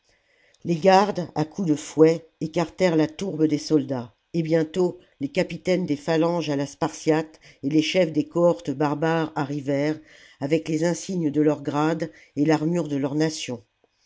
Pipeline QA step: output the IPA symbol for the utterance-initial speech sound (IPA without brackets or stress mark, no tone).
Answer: l